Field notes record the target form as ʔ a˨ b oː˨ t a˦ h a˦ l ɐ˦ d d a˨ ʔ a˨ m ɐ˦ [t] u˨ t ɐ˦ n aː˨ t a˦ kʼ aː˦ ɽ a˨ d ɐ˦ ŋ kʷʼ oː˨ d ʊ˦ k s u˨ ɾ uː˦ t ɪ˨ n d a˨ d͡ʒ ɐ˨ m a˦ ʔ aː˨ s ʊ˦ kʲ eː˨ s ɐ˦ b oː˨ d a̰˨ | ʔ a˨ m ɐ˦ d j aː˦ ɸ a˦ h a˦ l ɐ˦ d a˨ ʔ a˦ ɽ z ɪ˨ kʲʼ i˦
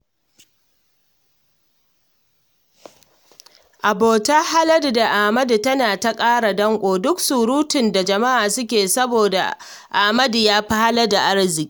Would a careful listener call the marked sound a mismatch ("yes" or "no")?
yes